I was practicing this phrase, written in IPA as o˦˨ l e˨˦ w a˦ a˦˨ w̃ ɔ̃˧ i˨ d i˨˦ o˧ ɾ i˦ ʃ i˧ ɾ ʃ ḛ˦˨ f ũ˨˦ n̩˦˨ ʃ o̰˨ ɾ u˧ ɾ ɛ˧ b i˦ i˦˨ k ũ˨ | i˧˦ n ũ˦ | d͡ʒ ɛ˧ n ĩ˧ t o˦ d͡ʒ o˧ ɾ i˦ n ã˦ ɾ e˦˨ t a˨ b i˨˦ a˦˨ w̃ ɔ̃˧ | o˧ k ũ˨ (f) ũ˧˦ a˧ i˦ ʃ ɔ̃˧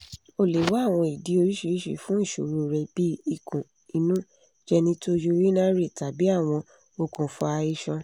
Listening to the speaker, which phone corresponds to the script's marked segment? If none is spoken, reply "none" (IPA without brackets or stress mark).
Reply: f